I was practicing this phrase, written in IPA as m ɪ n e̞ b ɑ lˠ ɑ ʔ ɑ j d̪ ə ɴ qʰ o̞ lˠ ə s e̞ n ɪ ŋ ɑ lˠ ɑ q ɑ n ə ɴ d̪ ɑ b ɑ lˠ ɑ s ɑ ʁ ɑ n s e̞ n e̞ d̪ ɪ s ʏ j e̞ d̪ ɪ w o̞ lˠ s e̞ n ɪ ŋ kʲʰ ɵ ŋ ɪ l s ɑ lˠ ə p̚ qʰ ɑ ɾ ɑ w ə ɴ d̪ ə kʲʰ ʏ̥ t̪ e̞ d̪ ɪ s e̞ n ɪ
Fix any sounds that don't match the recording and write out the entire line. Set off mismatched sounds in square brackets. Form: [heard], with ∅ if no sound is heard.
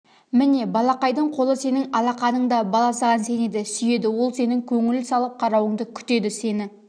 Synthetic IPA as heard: m ɪ n e̞ b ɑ lˠ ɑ [q] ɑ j d̪ ə ɴ qʰ o̞ lˠ ə s e̞ n ɪ ŋ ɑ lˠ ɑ q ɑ n ə ɴ d̪ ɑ b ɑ lˠ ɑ s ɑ ʁ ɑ n s e̞ n e̞ d̪ ɪ s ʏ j e̞ d̪ ɪ w o̞ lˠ s e̞ n ɪ ŋ kʲʰ ɵ ŋ ɪ l s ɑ lˠ ə p̚ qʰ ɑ ɾ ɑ w ə ɴ d̪ ə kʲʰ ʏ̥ t̪ e̞ d̪ ɪ s e̞ n ɪ